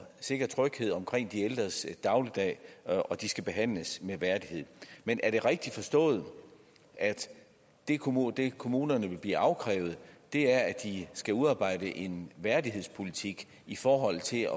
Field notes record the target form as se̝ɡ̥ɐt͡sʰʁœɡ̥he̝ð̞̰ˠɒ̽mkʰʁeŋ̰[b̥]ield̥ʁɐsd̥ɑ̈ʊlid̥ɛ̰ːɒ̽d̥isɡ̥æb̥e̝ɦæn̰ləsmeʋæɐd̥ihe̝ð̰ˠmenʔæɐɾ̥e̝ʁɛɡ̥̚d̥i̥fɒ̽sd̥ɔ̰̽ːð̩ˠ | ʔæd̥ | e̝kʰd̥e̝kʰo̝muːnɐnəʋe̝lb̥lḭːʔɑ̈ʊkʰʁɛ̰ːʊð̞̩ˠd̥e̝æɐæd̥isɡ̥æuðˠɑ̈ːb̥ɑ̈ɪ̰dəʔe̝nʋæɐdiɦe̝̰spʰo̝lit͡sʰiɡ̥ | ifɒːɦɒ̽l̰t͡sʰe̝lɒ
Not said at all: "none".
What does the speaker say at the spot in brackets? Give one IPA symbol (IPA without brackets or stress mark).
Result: d̥